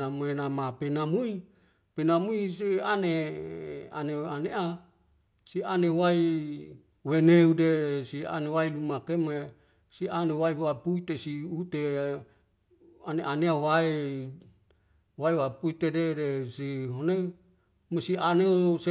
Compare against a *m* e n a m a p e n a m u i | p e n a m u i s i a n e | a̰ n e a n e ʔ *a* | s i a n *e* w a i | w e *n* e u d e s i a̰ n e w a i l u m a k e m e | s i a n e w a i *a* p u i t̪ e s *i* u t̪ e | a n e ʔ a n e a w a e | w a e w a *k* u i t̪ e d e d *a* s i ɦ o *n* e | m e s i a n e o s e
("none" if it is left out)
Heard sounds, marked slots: m, a, e, n, a, i, p, e, n

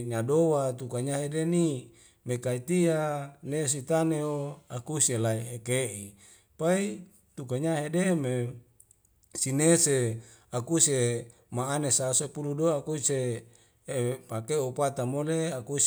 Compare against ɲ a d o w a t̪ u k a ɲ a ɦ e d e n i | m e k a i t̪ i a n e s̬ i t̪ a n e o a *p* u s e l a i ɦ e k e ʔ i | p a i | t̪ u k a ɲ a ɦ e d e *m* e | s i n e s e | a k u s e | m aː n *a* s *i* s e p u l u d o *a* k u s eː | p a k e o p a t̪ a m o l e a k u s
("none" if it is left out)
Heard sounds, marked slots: k, m, e, a, a

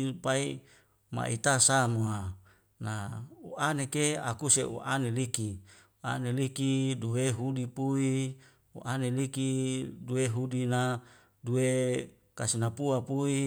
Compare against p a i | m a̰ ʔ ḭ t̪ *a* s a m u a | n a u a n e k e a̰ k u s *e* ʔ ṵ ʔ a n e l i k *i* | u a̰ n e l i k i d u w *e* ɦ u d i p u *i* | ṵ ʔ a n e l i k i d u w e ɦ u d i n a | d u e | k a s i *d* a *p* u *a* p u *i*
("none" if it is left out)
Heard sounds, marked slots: a, e, i, e, i, n, p, a, i

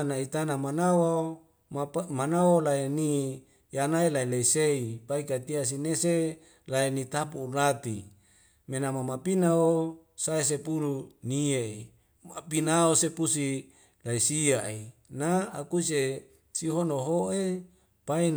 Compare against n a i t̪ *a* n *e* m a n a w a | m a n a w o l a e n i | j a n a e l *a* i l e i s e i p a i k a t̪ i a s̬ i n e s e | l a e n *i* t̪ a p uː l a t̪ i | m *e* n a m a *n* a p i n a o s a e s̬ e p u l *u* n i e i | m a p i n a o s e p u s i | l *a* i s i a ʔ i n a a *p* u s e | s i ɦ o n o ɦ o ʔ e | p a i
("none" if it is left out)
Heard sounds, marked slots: a, a, a, i, e, m, u, a, k

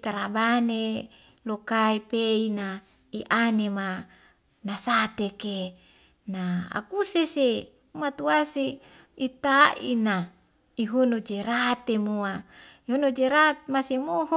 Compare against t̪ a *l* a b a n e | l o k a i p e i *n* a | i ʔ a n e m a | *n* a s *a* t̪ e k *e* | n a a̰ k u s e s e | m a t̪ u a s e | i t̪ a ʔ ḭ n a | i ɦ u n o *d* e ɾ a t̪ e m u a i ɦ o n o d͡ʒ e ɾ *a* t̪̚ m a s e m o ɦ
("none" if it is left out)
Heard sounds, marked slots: ɾ, n, n, a, e, d͡ʒ, a

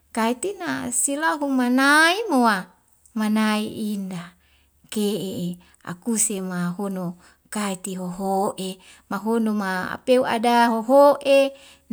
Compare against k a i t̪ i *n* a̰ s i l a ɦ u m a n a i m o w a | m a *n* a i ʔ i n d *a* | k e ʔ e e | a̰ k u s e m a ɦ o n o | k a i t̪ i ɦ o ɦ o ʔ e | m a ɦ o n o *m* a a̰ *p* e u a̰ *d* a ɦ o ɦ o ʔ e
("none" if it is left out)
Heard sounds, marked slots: n, n, a, m, p, d

